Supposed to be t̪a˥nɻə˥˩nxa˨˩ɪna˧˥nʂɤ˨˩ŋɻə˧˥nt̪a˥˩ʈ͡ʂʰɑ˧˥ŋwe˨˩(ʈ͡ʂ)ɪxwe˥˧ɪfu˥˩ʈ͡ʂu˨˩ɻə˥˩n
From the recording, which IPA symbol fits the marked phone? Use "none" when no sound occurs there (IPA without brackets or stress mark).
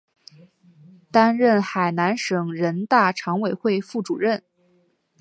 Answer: none